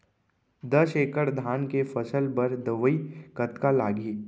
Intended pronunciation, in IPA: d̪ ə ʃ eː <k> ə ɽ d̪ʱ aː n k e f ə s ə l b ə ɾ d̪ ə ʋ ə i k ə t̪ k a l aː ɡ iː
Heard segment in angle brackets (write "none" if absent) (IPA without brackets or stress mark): k